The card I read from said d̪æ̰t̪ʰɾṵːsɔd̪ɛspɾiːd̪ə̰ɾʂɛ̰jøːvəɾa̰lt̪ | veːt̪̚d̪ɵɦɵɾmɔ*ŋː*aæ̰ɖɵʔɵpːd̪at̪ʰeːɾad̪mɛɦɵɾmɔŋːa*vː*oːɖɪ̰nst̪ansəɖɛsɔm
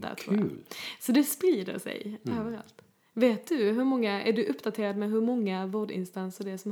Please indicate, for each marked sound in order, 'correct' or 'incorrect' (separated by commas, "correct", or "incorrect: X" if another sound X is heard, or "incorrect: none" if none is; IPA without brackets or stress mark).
correct, incorrect: v